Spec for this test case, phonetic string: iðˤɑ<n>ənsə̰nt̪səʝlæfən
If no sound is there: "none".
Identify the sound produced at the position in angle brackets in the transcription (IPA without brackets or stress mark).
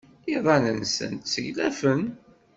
n